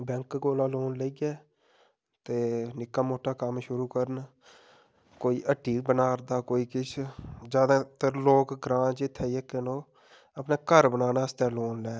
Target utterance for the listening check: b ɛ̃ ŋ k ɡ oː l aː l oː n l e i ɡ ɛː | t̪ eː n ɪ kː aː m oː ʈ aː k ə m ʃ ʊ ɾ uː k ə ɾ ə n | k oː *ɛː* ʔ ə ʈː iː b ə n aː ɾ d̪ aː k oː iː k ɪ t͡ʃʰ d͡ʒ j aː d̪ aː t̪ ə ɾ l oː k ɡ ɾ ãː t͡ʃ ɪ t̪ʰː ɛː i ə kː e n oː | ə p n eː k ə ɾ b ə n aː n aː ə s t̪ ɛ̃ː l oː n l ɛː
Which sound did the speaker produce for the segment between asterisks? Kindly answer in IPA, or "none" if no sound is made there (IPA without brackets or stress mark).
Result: iː